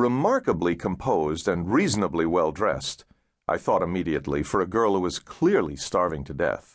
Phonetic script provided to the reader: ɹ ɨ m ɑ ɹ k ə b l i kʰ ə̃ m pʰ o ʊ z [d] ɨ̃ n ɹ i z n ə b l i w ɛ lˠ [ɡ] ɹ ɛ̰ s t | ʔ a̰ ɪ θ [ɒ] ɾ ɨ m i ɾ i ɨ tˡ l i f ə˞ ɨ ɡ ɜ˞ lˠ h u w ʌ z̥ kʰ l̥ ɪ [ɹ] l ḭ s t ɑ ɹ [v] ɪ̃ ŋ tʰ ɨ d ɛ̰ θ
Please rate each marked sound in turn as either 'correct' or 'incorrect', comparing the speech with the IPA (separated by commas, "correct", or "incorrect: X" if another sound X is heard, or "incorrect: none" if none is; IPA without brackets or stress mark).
correct, incorrect: d, incorrect: ɔ, correct, correct